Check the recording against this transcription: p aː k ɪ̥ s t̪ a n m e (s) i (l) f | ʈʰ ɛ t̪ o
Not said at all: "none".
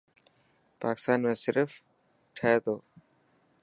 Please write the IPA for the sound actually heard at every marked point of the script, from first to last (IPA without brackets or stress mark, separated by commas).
s, ɾ